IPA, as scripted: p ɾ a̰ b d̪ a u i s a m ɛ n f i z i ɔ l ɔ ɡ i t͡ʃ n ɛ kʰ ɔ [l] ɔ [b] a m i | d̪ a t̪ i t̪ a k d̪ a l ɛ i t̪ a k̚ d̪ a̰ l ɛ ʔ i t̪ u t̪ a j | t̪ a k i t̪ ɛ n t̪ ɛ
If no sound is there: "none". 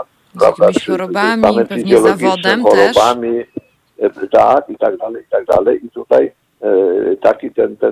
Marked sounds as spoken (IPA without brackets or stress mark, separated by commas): ɾ, b